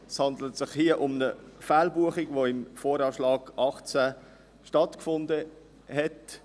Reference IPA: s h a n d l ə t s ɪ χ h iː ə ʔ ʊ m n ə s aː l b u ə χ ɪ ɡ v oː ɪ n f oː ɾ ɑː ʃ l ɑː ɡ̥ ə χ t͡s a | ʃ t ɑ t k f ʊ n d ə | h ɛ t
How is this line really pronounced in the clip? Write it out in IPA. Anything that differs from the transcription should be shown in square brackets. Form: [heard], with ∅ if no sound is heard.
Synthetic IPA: s h [ɑ] n d l ə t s ɪ χ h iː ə ʔ ʊ m n ə [f] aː l b u ə χ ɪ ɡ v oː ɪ [m] f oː ɾ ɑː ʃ l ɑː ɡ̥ [ɑ] χ t͡s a | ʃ t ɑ t k f ʊ n d ə | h ɛ t